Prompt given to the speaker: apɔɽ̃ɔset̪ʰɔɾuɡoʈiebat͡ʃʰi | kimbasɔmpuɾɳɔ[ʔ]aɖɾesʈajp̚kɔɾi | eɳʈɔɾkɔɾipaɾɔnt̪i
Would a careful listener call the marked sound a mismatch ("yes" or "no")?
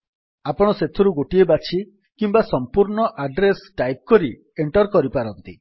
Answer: no